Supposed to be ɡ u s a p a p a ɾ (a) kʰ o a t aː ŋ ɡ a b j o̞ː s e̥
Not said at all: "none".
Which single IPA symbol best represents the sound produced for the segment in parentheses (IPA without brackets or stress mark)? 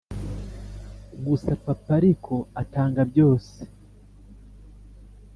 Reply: i